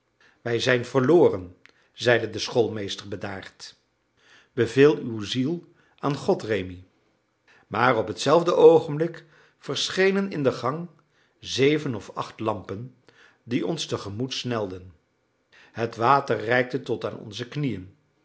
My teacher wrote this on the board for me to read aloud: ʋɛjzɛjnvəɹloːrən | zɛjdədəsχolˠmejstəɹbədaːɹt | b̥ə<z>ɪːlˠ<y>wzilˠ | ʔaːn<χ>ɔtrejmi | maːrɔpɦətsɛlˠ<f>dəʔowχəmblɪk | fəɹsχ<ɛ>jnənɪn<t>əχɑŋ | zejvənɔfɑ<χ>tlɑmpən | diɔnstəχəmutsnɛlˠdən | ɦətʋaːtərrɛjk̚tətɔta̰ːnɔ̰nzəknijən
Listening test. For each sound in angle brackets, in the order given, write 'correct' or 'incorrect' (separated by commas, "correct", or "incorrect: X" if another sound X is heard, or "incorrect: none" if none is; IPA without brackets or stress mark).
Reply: incorrect: v, correct, correct, incorrect: v, incorrect: e, incorrect: d, correct